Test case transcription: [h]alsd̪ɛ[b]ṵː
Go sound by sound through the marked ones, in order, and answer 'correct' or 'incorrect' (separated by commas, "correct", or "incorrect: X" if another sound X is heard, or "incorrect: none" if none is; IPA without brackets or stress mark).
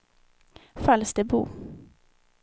incorrect: f, correct